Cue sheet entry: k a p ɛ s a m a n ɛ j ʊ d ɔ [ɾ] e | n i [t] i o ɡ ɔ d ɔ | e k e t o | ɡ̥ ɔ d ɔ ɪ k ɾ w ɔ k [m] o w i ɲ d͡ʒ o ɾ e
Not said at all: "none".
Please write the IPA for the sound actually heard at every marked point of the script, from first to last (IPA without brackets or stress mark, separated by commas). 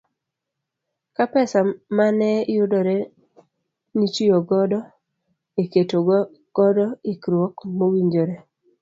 ɾ, t͡ʃ, m